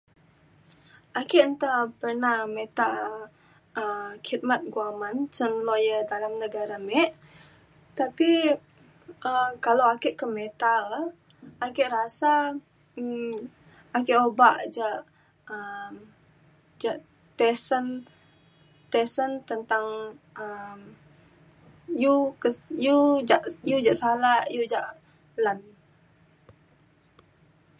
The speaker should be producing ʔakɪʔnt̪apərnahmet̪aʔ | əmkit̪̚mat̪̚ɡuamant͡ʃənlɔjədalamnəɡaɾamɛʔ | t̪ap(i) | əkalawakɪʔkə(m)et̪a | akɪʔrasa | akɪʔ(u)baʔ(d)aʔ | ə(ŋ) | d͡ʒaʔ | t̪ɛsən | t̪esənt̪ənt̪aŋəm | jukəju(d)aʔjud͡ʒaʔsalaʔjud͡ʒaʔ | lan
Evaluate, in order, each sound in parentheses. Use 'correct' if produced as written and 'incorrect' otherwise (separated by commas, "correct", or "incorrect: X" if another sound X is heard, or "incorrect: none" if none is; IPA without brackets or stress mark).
correct, correct, incorrect: o, incorrect: d͡ʒ, incorrect: m, incorrect: d͡ʒ